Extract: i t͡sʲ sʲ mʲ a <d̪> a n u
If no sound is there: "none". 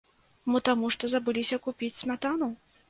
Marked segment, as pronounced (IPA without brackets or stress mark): t̪